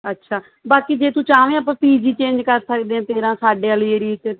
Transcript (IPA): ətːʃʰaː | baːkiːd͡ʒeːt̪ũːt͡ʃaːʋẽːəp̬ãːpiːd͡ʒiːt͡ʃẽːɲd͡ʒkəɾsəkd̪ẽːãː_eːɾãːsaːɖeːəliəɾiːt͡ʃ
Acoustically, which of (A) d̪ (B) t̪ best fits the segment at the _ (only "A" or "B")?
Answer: B